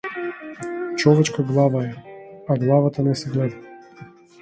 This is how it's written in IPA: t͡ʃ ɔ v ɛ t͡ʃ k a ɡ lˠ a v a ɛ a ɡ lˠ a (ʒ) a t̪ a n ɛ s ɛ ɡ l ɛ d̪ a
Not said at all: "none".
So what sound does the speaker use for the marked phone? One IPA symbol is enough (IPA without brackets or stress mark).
v